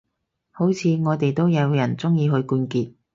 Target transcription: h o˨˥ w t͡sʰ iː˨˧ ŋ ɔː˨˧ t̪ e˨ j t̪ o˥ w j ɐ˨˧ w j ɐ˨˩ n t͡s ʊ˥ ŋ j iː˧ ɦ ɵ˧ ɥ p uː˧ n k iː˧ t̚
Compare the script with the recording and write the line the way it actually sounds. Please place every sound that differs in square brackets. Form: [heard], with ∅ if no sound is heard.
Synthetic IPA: h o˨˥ w t͡sʰ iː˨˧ ŋ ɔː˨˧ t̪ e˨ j t̪ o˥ w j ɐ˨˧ w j ɐ˨˩ n t͡s ʊ˥ ŋ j iː˧ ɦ ɵ˧ ɥ [k] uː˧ n k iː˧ t̚